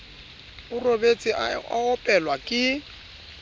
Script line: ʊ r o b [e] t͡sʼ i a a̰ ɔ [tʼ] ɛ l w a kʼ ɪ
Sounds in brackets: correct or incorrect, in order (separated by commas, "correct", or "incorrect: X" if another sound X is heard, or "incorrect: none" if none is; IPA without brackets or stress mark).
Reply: correct, incorrect: pʼ